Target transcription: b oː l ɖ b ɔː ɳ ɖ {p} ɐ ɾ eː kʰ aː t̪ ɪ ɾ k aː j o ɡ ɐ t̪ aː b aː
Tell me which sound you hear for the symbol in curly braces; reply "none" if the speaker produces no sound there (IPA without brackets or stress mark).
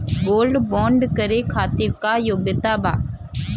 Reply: k